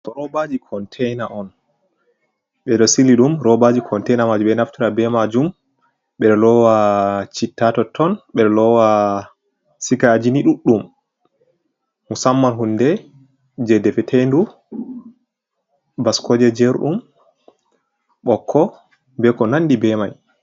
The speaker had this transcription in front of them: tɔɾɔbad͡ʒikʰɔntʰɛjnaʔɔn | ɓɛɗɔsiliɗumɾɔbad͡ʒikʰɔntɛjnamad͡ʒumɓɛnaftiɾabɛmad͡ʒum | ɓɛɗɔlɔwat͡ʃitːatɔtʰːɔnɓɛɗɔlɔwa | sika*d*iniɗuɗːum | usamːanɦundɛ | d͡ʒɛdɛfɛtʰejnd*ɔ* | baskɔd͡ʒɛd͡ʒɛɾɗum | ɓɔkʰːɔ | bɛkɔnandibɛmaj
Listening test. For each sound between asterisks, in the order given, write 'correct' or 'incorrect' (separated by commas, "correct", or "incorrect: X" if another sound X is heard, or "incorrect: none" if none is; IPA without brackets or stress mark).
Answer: incorrect: d͡ʒ, incorrect: u